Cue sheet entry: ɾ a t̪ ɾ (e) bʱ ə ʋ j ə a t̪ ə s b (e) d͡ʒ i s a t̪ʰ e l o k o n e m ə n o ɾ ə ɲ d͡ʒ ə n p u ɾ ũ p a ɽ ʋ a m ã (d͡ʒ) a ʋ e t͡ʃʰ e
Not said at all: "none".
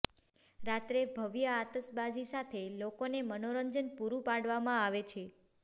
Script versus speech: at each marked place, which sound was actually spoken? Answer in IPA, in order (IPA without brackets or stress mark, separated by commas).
e, a, none